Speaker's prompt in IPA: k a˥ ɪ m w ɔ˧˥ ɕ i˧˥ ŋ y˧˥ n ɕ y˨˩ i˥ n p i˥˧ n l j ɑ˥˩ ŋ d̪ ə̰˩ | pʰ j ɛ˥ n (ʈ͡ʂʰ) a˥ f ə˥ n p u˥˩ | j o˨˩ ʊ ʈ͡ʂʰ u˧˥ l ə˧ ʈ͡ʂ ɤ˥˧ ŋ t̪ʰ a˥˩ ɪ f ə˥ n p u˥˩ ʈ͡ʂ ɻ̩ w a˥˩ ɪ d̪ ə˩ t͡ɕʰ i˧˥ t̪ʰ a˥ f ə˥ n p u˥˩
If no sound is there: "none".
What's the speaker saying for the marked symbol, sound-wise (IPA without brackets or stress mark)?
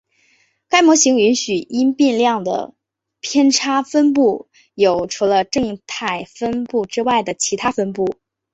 ʈ͡ʂʰ